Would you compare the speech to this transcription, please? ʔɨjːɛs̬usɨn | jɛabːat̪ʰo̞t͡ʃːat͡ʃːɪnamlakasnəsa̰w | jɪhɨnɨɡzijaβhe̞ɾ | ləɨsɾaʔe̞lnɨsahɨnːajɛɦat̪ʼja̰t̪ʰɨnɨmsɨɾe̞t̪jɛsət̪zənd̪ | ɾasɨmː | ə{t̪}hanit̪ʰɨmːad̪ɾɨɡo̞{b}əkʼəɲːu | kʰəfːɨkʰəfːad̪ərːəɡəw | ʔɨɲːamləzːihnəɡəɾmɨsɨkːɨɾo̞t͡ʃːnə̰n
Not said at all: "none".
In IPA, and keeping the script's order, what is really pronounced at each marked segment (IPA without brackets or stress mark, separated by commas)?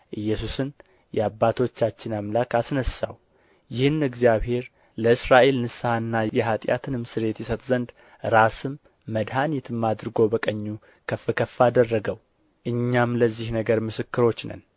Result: d̪, b